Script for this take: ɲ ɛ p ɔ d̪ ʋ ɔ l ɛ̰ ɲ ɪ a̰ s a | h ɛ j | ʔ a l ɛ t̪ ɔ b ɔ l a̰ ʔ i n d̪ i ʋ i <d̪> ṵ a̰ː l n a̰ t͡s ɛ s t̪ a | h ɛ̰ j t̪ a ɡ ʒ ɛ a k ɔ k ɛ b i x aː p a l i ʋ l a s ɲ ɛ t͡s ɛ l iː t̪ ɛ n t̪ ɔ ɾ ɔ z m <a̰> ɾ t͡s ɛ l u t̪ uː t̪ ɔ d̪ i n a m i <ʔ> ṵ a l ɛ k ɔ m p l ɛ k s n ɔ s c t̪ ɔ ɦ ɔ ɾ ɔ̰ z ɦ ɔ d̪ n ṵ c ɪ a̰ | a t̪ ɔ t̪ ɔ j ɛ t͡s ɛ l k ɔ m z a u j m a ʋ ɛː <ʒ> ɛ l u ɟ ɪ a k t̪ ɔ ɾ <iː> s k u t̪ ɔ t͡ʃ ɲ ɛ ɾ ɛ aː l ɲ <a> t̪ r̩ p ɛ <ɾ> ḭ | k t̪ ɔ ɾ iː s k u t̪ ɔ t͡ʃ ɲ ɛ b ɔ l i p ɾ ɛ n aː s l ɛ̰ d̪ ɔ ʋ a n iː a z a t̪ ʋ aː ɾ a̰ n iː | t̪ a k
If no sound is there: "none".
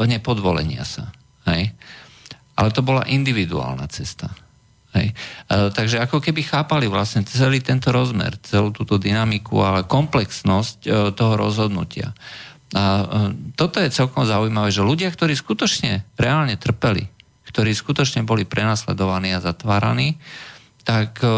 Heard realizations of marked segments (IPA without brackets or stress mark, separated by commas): d̪, ɛ̰, k, ʒ, iː, ɛ, l